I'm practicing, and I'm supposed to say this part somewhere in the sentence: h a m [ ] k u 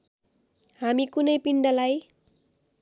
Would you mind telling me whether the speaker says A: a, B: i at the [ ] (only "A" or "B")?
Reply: B